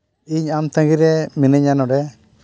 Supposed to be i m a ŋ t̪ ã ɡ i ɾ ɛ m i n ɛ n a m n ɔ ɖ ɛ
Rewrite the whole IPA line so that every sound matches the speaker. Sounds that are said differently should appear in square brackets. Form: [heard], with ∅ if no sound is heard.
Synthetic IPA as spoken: i [ɲ] a [m] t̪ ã ɡ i ɾ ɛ m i n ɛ [ɲ] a [∅] n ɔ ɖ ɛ